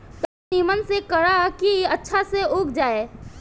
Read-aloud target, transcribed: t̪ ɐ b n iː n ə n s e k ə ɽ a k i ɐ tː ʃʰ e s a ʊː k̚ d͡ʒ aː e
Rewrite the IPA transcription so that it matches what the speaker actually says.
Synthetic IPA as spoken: t̪ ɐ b n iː m ə n s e k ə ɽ a k i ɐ tː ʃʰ a s e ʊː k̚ d͡ʒ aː e